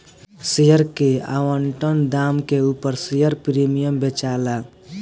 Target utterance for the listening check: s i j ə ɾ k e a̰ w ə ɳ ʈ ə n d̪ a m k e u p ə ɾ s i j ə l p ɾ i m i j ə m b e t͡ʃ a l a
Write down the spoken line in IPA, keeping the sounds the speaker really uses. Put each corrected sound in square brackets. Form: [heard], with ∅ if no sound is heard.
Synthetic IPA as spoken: s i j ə ɾ k e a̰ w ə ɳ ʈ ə n d̪ a m k e u p ə ɾ s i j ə [ɾ] p ɾ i m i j ə m b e t͡ʃ a l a